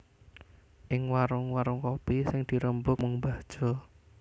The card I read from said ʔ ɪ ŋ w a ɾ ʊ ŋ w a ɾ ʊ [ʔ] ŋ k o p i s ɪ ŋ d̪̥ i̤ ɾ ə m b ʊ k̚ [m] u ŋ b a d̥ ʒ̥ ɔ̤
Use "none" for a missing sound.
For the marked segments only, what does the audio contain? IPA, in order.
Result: none, m

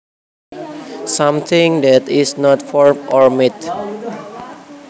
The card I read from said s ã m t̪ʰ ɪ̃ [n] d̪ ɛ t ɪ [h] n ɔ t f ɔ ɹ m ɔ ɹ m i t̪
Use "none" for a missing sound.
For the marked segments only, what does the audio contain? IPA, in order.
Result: ŋ, s

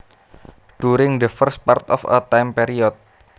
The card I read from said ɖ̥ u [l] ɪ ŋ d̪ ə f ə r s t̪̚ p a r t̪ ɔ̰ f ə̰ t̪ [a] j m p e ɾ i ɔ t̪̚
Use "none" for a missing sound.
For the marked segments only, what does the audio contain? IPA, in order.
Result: ɾ, a

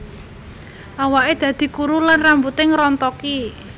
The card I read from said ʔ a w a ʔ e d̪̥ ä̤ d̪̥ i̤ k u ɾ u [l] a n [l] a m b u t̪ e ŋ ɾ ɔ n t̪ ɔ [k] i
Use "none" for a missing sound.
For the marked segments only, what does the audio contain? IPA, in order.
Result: l, r, k

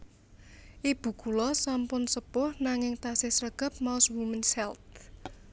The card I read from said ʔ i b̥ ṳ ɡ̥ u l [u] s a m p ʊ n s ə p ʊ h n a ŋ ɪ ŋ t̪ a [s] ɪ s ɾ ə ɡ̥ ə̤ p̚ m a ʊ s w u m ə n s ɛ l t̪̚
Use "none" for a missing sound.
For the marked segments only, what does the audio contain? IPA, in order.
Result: ɔ, s

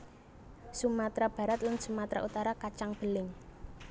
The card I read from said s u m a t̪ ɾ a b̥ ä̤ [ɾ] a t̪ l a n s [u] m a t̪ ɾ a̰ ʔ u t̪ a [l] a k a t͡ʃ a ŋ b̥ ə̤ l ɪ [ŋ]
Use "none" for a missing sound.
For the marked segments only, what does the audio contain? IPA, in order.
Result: ɾ, u, ɾ, ŋ

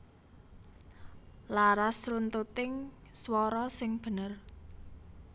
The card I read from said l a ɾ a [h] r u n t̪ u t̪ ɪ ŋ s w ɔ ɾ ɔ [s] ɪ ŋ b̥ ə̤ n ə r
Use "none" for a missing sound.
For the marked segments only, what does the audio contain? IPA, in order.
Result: s, s

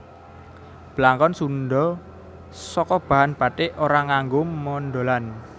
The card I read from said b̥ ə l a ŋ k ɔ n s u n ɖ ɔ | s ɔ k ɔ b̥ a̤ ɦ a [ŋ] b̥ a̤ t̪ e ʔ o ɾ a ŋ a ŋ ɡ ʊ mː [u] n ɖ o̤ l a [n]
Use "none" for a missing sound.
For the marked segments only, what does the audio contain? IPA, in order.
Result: n, ɔ, n

